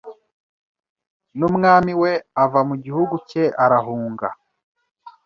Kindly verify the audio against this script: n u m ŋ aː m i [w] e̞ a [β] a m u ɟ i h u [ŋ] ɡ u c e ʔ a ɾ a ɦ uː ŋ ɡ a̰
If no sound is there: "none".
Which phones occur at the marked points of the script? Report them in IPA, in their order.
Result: w, v, none

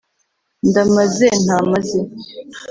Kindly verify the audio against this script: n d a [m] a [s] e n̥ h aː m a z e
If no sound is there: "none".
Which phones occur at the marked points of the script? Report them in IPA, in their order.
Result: m, z

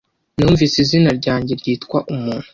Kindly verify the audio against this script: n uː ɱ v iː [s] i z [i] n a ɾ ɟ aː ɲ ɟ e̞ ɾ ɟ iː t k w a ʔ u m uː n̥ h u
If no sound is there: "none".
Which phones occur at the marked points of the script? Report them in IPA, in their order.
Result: s, i

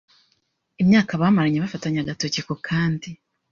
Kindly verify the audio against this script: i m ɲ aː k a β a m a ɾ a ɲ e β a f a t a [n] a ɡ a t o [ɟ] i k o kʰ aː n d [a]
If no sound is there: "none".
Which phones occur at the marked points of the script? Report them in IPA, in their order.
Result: ɲ, c, i

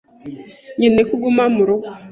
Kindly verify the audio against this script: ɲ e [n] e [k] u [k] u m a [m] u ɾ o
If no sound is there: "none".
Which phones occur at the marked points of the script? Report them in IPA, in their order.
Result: n, k, ɡ, m

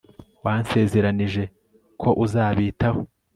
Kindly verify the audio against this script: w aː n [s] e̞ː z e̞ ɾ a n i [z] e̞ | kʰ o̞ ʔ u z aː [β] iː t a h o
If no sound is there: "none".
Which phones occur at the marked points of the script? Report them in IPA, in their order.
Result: s, ʒ, β

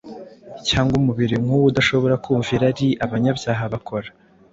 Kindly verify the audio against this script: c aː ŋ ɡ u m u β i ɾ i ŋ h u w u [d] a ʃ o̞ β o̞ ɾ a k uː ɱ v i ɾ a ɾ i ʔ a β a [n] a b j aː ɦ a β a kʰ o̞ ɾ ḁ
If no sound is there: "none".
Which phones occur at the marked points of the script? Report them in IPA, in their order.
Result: d, ɲ

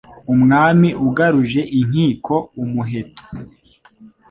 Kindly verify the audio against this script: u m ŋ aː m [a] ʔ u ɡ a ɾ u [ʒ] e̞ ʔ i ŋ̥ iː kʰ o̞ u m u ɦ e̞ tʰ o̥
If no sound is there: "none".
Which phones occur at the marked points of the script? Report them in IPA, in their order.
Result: i, ʒ

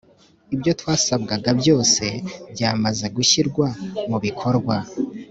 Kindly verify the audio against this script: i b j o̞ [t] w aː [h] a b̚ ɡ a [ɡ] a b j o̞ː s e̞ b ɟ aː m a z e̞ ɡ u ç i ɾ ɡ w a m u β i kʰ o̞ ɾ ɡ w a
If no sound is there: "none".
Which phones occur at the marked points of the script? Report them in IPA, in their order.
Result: t, s, ɡ

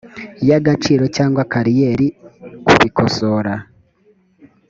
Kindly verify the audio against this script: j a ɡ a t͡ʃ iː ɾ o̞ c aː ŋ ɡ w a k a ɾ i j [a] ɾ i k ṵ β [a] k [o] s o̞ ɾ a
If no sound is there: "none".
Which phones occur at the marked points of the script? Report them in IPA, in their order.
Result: e, i, o

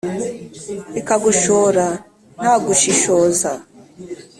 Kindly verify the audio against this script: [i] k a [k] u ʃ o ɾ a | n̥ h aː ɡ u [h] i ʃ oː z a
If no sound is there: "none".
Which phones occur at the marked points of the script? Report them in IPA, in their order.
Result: i, ɡ, ʃ

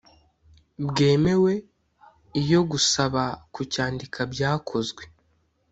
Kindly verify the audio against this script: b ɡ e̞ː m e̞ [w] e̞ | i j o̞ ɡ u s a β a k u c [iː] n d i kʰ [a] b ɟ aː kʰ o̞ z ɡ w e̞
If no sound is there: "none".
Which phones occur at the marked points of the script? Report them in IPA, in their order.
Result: w, aː, a

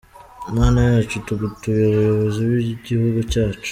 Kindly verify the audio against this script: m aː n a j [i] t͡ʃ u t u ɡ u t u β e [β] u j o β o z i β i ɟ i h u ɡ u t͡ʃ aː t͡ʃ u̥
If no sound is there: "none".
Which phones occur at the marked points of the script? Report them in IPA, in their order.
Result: a, β

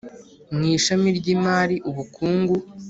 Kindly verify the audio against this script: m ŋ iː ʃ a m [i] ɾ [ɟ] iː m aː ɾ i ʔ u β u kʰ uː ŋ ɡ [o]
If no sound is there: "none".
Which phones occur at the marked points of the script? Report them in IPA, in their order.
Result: i, ɟ, u

